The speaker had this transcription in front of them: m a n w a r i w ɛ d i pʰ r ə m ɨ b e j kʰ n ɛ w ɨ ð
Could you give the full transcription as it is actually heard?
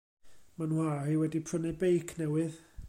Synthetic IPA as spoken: m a n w a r i w ɛ d i pʰ r ə n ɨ b e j kʰ n ɛ w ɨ ð